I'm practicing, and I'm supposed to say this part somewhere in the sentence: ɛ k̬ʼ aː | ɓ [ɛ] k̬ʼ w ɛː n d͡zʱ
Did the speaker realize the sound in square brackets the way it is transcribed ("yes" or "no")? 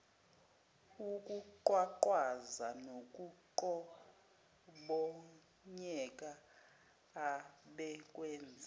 yes